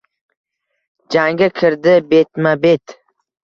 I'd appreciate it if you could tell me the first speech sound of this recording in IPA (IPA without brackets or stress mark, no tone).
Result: d͡ʒ